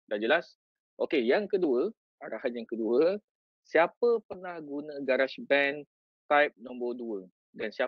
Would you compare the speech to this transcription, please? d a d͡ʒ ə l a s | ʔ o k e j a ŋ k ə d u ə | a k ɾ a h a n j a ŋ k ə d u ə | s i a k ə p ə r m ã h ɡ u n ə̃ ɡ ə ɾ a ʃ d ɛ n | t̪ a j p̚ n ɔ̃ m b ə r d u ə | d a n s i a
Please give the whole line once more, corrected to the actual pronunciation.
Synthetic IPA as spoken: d a d͡ʒ ə l a s | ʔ o k e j a ŋ k ə d u ə | a ɾ a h a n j a ŋ k ə d u ə | s i a p ə p ə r n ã h ɡ u n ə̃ ɡ a ɾ a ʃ b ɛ n | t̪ a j p̚ n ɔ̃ m b ə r d u ə | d a n s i a